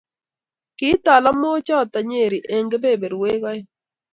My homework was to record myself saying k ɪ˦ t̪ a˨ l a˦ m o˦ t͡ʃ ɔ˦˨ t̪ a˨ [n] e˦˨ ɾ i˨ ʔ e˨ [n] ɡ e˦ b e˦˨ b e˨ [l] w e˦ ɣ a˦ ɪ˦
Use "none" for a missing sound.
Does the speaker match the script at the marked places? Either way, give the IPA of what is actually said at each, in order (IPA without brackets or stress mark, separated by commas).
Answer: ɲ, ŋ, ɾ